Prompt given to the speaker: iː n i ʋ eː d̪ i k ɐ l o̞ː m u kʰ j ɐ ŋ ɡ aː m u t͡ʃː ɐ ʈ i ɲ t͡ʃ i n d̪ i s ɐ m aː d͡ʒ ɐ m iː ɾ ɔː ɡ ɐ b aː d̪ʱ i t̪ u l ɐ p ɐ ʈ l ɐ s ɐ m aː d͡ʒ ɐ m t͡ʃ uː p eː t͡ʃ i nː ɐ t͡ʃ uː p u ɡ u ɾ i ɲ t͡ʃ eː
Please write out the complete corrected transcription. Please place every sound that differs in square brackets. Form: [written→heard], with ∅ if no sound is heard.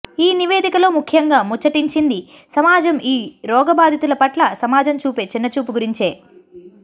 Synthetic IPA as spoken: iː n i ʋ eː d̪ i k ɐ l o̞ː m u kʰ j ɐ ŋ ɡ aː m u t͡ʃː ɐ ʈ i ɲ t͡ʃ i n d̪ i s ɐ m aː d͡ʒ ɐ m iː ɾ ɔː ɡ ɐ b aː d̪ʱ i t̪ u l ɐ p ɐ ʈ l ɐ s ɐ m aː d͡ʒ ɐ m t͡ʃ uː p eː t͡ʃ i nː ɐ t͡ʃ uː p u ɡ u ɾ i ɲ t͡ʃ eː